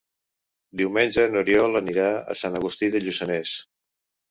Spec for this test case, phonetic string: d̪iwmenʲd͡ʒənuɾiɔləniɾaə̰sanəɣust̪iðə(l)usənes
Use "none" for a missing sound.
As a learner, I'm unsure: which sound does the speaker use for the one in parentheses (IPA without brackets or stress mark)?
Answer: ʎ